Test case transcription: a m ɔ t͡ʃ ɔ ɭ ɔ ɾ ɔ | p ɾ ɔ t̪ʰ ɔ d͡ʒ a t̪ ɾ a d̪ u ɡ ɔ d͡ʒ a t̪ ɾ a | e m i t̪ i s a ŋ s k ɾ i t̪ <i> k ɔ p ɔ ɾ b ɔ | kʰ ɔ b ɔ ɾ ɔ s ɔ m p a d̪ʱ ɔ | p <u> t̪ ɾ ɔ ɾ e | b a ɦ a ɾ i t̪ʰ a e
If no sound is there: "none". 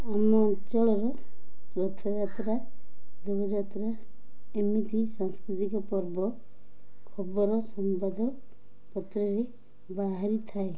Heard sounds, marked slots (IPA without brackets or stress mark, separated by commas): i, ɔ